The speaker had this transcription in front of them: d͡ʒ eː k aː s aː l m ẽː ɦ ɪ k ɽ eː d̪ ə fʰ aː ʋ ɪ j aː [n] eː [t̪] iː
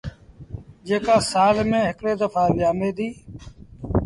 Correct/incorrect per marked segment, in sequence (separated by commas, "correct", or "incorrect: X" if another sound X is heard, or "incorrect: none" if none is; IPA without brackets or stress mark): incorrect: m, incorrect: d̪